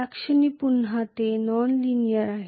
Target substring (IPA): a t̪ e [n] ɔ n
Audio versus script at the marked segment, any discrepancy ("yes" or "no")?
no